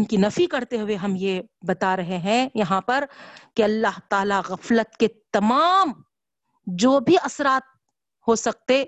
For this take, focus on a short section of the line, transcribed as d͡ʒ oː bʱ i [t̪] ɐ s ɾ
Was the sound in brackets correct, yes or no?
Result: no